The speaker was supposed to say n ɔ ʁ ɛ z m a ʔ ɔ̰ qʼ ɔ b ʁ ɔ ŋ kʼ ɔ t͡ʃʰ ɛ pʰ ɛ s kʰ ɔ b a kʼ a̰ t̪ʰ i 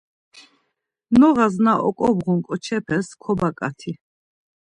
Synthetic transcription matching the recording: n ɔ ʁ a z n a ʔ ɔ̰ kʼ ɔ b ʁ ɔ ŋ kʼ ɔ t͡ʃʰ ɛ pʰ ɛ s kʰ ɔ b a kʼ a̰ t̪ʰ i